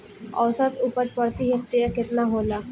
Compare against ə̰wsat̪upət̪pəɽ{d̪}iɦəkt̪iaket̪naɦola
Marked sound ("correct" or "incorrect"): incorrect